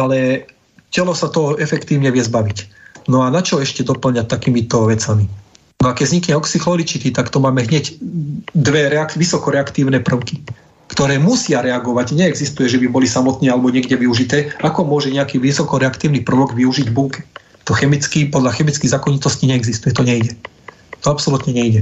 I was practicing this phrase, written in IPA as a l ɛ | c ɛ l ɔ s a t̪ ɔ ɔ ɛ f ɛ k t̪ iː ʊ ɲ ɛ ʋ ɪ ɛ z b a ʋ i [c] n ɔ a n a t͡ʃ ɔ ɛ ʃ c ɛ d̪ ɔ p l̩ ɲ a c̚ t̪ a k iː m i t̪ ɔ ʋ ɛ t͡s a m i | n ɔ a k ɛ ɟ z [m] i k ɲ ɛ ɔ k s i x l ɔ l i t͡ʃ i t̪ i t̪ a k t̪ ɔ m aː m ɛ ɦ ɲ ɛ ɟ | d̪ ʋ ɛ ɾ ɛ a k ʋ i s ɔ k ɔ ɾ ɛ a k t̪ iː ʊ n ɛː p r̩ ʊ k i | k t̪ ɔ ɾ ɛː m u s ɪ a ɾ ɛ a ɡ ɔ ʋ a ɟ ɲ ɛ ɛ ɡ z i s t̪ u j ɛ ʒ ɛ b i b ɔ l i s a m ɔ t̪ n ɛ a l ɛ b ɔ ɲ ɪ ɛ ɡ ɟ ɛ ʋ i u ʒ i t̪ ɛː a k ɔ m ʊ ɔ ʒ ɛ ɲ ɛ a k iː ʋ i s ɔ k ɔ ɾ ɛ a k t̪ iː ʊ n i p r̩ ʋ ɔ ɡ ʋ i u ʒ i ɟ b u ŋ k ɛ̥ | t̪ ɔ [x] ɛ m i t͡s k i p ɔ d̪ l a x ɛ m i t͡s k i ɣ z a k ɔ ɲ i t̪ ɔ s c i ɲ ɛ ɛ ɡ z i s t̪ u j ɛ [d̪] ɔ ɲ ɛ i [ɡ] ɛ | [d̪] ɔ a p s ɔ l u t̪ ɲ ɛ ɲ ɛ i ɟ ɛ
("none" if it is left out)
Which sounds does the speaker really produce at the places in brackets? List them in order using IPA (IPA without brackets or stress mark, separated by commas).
c, ɲ, x, t̪, ɟ, t̪